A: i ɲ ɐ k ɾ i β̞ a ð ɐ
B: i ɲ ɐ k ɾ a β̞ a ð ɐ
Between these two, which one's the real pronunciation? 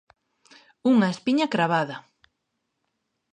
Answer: B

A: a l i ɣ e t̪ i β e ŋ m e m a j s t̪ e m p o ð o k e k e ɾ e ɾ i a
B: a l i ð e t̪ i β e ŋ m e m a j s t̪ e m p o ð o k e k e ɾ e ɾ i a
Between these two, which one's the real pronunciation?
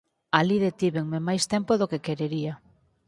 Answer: B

